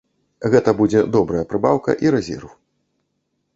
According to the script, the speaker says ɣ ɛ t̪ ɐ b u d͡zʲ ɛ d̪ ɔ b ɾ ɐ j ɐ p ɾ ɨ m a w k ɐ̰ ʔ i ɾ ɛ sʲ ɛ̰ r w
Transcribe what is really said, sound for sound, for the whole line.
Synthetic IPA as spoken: ɣ ɛ t̪ ɐ b u d͡zʲ ɛ d̪ ɔ b ɾ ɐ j ɐ p ɾ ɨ b a w k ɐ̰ ʔ i ɾ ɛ zʲ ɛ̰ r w